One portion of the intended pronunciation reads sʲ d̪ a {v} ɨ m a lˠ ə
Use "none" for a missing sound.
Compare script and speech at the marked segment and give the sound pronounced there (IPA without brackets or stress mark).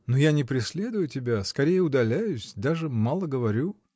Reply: ʐ